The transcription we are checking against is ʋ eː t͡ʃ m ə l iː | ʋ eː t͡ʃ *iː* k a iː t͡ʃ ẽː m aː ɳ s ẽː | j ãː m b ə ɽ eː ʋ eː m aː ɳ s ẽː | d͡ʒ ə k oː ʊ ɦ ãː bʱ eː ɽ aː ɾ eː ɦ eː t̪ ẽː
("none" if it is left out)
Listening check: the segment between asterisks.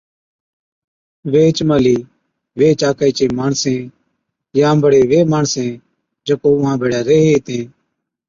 aː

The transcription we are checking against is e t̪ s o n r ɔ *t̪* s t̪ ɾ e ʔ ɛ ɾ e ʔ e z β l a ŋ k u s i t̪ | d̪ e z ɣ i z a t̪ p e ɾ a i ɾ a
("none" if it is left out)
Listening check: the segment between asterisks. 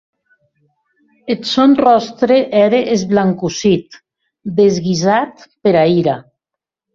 none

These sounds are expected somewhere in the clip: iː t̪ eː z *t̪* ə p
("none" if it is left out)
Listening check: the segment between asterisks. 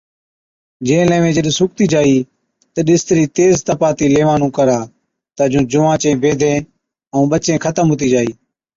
t̪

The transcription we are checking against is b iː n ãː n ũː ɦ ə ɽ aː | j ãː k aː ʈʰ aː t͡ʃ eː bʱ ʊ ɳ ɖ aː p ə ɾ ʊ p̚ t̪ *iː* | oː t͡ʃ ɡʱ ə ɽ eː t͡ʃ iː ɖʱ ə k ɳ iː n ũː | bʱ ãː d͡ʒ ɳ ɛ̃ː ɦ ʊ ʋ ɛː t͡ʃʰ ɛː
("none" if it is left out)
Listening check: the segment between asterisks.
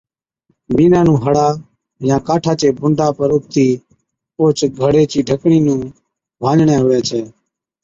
iː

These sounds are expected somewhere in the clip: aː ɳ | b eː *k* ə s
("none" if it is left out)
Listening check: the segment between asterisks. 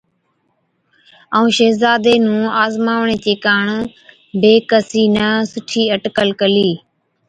k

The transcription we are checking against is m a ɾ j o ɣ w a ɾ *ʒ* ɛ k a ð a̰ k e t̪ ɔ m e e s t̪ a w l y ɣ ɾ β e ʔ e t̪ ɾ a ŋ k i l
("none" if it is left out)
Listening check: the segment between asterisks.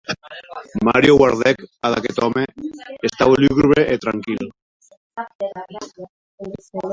ð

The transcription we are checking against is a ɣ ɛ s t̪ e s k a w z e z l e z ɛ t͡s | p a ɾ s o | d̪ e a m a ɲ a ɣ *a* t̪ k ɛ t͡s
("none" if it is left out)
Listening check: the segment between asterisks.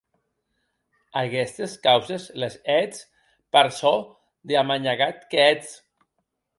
a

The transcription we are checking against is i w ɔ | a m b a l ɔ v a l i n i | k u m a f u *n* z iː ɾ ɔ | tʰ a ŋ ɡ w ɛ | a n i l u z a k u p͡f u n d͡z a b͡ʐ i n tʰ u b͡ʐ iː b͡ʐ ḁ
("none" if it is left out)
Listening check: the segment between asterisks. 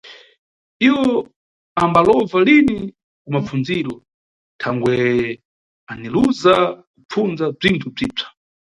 n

